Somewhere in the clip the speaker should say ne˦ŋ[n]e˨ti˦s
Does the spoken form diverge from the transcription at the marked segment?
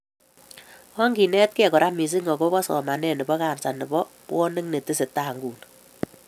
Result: no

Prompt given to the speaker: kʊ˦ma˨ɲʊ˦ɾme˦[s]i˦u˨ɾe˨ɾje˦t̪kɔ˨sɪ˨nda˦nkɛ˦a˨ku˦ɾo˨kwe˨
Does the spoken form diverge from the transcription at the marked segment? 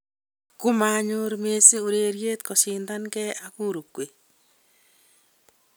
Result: no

